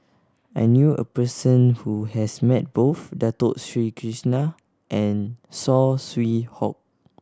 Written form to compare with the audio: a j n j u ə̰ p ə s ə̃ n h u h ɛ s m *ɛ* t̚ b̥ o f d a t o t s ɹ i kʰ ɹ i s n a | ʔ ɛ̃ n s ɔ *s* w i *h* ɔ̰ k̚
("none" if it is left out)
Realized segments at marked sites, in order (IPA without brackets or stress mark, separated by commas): ɛ, s, h